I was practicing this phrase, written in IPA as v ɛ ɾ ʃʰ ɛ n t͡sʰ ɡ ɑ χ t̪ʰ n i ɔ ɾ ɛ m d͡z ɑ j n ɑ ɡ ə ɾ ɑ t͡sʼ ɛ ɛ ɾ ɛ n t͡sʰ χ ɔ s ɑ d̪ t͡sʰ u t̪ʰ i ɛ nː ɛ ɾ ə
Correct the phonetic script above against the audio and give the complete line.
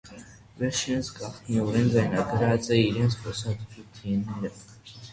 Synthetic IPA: v ɛ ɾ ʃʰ ɛ n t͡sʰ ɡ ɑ χ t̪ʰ n i ɔ ɾ ɛ n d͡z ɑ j n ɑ ɡ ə ɾ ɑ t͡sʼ ɛ i ɾ ɛ n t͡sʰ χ ɔ s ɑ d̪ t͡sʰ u t̪ʰ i ɛ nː ɛ ɾ ə